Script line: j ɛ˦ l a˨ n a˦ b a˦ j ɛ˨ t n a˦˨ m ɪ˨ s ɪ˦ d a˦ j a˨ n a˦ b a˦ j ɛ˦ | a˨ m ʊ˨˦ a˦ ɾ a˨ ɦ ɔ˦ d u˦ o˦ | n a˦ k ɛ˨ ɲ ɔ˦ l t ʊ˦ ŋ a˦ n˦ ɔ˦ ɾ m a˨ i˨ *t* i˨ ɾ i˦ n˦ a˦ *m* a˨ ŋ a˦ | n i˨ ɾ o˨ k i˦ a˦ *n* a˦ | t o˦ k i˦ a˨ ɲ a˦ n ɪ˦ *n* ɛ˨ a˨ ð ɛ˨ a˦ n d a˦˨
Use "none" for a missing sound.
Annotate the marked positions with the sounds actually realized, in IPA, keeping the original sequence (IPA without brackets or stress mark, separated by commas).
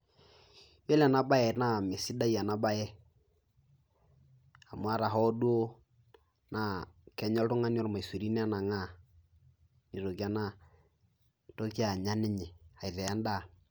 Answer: s, n, n, ɲ